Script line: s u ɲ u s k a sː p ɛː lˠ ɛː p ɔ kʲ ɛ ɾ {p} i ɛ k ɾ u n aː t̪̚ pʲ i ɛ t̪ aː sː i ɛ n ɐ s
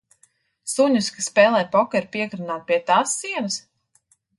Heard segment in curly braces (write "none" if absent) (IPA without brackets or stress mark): p